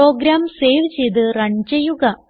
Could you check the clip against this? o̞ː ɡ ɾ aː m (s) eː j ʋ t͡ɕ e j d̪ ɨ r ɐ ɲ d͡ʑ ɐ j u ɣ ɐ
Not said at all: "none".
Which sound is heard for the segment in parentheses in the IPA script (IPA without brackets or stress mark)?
s